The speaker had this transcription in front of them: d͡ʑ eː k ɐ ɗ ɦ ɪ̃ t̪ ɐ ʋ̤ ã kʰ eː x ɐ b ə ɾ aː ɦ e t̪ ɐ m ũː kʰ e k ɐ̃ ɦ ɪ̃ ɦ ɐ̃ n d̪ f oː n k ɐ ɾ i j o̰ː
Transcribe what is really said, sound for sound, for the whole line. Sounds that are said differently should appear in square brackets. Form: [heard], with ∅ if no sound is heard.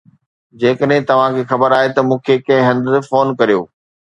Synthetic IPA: d͡ʑ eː k [ə] ɗ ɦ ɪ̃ t̪ ɐ ʋ̤ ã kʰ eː x ɐ b ə ɾ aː ɦ e t̪ ɐ m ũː kʰ e k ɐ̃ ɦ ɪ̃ ɦ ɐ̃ n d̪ f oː n k ɐ ɾ i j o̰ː